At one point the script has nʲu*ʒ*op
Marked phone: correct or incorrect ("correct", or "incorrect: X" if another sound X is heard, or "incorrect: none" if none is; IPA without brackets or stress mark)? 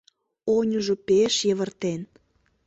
correct